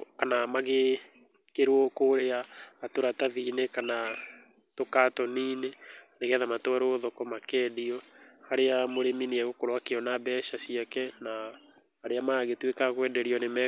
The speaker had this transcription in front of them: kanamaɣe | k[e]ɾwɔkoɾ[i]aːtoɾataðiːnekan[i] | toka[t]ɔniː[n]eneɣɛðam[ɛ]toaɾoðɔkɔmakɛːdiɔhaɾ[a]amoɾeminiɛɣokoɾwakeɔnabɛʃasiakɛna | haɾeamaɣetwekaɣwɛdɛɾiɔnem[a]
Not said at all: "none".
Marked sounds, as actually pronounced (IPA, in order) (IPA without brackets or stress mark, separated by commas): e, e, a, t, n, a, e, ɛ